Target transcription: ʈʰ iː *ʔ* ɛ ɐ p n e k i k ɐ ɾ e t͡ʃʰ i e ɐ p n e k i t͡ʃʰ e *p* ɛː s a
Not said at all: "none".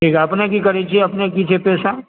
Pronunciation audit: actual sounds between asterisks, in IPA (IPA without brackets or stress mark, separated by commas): k, p